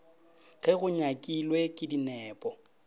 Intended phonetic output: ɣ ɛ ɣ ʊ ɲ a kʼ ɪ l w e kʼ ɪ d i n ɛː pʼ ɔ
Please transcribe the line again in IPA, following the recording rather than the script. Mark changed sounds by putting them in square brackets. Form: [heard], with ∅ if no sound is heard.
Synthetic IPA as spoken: ɣ ɛ ɣ ʊ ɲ a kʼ [i] l w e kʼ ɪ d i n ɛː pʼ ɔ